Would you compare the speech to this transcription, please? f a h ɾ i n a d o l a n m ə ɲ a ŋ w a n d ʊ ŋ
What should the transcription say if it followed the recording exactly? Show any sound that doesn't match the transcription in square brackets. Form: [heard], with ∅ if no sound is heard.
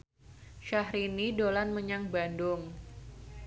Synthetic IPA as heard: [ʃ] a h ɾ i n [i] d o l a n m ə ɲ a ŋ [b] a n d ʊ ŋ